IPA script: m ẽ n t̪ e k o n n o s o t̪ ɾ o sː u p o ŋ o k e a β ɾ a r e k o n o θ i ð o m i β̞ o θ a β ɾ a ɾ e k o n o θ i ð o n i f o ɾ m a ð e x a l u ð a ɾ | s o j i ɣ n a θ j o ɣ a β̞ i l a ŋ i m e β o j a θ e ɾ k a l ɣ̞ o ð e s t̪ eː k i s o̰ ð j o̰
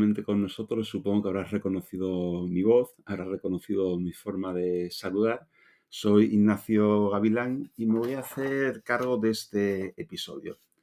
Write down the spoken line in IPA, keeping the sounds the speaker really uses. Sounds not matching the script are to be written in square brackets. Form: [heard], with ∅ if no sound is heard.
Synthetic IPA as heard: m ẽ n t̪ e k o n n o s o t̪ ɾ o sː u p o ŋ o k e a β ɾ a r e k o n o θ i ð o m i β̞ o θ a β ɾ a [r] e k o n o θ i ð o [m] i f o ɾ m a ð e [s] a l u ð a ɾ | s o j i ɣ n a θ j o ɣ a β̞ i l a ŋ i m e β o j a θ e ɾ k a [ɾ] ɣ̞ o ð e s t̪ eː [p] i s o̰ ð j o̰